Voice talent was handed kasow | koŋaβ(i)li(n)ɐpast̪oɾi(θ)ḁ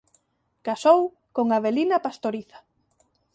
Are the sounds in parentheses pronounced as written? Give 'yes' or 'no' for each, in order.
no, yes, yes

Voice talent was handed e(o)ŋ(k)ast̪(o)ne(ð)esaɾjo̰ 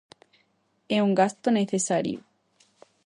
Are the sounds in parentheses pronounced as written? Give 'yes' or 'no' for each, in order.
no, no, yes, no

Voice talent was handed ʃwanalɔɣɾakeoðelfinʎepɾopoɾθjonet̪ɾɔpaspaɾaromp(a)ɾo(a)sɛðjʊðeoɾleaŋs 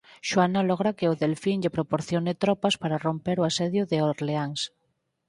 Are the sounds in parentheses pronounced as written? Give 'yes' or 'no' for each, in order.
no, yes

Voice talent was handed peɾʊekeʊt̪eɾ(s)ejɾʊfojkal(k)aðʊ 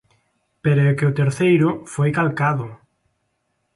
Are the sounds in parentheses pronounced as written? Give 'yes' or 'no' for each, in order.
no, yes

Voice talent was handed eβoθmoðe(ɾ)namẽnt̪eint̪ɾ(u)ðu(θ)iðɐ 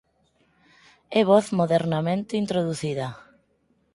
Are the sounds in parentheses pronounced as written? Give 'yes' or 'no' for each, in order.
yes, no, yes

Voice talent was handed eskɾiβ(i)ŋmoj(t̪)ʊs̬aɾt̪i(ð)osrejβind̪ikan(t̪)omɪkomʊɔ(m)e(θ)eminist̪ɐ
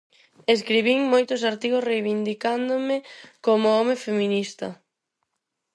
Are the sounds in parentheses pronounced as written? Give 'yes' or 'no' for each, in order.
yes, yes, no, no, yes, no

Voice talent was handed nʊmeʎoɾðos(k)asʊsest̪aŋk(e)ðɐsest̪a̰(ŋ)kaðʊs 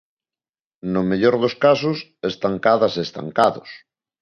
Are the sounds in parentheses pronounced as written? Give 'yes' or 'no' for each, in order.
yes, no, yes

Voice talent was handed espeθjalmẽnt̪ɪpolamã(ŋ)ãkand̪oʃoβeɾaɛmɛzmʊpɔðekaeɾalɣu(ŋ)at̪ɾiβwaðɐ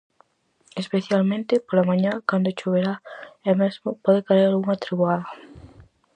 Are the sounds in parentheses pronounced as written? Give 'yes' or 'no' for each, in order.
no, yes

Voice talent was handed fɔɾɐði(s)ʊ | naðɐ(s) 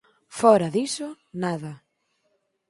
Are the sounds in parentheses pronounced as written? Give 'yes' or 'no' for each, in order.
yes, no

